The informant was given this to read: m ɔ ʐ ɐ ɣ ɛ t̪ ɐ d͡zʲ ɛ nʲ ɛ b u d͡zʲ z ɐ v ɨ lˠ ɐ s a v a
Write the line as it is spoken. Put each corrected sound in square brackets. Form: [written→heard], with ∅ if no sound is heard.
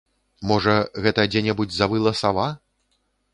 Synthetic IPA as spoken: m ɔ ʐ ɐ ɣ ɛ t̪ ɐ d͡zʲ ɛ nʲ ɛ b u d͡zʲ z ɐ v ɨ lˠ ɐ s a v a

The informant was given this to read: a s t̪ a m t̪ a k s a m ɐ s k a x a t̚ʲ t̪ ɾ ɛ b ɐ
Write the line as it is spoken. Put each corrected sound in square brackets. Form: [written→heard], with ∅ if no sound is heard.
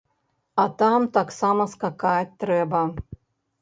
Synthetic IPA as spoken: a [s→∅] t̪ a m t̪ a k s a m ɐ s k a [x→k] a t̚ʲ t̪ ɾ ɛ b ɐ

